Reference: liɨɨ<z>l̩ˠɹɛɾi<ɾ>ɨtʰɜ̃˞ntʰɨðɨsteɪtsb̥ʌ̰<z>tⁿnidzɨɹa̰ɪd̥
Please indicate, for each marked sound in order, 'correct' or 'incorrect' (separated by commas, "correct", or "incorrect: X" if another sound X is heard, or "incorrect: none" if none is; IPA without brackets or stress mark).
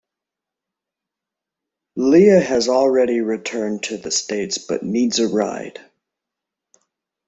correct, incorrect: ɹ, incorrect: none